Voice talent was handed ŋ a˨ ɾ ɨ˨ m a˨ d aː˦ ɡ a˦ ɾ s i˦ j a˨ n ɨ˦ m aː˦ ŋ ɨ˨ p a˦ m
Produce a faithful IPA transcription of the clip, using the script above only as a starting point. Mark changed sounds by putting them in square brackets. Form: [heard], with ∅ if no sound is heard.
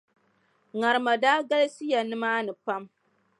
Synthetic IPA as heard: ŋ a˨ ɾ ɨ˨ m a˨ d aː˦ ɡ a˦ [l] s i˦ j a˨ n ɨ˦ m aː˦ [n] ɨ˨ p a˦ m